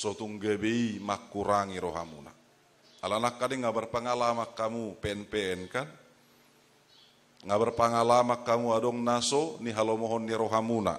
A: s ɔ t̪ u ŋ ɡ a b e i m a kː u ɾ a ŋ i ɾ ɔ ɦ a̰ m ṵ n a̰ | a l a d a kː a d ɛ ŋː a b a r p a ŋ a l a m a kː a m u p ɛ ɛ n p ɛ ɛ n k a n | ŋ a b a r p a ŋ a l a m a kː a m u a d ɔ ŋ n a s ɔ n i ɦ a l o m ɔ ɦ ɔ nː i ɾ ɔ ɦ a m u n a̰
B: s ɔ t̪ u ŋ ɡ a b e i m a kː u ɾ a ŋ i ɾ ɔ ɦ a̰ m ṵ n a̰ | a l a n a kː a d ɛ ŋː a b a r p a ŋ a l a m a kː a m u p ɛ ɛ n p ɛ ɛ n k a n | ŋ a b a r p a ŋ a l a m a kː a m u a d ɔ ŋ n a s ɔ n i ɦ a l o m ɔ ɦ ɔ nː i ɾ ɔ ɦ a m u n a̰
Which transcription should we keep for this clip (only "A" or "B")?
B